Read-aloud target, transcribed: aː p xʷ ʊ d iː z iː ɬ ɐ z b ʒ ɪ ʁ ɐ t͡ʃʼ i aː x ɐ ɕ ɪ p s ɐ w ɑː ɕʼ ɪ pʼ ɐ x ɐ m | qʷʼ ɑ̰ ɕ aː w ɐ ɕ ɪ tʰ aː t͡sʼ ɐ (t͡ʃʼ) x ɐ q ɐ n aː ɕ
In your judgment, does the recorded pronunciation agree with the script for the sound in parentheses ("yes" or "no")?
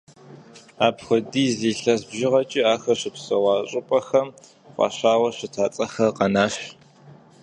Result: no